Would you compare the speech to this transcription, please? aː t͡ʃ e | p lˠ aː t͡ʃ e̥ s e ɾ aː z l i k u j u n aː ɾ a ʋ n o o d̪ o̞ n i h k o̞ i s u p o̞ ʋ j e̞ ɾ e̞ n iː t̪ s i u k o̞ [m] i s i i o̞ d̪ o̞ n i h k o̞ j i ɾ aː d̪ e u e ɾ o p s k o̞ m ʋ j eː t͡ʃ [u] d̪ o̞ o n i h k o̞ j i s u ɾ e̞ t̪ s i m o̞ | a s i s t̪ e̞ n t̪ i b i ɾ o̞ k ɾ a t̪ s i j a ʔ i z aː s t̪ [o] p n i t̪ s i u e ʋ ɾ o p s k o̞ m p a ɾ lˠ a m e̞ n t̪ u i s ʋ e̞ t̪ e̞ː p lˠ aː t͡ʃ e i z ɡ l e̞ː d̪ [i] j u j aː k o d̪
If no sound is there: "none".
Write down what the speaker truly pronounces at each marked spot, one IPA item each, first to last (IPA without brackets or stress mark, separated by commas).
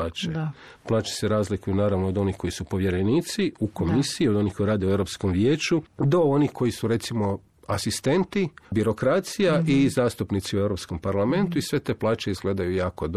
m, u, u, a